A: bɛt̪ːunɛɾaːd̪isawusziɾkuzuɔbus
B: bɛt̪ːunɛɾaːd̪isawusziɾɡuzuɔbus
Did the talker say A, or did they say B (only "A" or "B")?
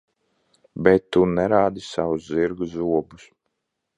B